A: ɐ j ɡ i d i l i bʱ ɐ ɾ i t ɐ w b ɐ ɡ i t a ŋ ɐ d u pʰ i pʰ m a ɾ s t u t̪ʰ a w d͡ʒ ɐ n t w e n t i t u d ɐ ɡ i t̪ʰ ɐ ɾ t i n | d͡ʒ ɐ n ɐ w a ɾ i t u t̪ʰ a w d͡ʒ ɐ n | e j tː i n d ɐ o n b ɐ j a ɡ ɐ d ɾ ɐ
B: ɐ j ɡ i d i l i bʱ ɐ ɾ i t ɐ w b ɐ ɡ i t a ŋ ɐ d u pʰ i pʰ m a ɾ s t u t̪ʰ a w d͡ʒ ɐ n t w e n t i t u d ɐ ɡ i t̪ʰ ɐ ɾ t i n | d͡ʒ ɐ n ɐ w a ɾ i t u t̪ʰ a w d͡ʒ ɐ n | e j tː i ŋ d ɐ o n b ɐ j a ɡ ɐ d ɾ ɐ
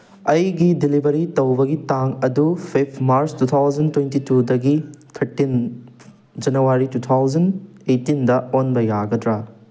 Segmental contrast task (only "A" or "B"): A